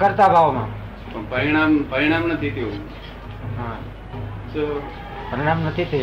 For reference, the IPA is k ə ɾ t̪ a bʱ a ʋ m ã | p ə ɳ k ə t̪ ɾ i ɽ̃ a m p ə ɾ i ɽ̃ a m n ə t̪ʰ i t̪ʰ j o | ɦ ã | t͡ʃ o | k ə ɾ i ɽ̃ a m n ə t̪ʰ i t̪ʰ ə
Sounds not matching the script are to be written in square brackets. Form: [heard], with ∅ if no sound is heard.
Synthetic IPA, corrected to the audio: k ə ɾ t̪ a bʱ a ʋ m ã | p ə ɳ [p] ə [∅] ɾ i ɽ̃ a m p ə ɾ i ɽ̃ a m n ə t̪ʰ i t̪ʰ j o | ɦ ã | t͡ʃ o | [p] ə ɾ i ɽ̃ a m n ə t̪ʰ i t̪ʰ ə